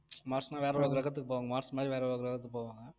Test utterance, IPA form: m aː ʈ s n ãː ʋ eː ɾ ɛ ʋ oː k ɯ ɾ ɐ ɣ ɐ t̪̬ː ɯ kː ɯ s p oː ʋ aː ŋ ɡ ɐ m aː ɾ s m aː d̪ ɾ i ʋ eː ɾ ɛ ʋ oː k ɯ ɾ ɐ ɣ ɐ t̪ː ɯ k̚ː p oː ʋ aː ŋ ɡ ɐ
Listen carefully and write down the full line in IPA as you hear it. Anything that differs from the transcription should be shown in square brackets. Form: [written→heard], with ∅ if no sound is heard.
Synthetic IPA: m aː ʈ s n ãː ʋ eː ɾ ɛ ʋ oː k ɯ ɾ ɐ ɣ ɐ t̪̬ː ɯ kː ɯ [s→∅] p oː ʋ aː ŋ ɡ ɐ m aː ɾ s m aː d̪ ɾ i ʋ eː ɾ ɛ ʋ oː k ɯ ɾ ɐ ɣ ɐ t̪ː ɯ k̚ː p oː ʋ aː ŋ ɡ ɐ